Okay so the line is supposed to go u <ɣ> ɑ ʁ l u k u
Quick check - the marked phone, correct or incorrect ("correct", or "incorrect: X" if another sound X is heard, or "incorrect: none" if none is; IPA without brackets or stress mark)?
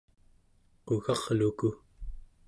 correct